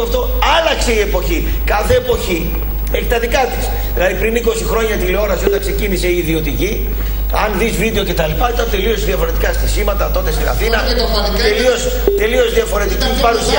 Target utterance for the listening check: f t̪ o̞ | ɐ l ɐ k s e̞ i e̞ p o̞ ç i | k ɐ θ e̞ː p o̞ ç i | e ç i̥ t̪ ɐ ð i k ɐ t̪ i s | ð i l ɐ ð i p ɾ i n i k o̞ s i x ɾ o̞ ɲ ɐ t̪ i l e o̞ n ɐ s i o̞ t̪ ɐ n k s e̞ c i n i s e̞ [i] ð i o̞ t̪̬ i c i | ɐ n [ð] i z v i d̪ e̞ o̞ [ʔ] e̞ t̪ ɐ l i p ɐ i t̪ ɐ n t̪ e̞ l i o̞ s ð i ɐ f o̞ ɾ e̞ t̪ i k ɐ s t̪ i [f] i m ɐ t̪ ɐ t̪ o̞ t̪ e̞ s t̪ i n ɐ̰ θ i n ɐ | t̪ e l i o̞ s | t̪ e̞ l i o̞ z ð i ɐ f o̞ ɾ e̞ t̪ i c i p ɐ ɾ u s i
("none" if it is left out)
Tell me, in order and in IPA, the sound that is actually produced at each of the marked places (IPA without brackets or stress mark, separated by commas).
iː, ð, c, s